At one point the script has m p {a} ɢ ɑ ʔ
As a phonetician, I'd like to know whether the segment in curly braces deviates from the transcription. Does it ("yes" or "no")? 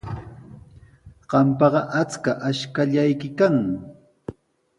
yes